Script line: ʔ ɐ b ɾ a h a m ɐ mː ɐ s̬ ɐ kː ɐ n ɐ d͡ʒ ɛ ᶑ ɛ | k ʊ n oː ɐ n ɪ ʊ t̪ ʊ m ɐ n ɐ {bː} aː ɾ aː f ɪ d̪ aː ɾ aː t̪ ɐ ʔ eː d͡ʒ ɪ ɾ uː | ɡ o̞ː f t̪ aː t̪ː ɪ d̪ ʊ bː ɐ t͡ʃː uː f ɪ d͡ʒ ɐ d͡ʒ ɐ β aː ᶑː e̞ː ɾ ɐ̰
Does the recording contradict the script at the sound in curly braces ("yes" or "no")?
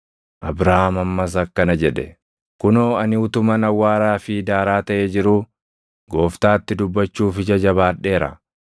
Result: yes